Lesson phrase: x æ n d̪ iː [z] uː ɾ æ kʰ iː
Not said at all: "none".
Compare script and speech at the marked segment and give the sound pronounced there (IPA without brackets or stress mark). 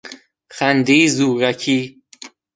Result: z